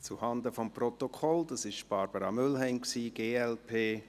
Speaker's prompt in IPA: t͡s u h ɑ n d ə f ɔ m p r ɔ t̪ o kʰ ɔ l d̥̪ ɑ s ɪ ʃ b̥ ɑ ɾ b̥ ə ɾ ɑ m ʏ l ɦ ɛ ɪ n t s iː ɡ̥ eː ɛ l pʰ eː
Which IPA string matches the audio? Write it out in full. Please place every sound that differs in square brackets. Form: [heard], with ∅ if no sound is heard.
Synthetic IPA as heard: t͡s u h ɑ n d ə f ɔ m p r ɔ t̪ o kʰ ɔ l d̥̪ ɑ s ɪ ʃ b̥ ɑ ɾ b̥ ə ɾ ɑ m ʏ l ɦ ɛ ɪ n [k] s iː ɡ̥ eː ɛ l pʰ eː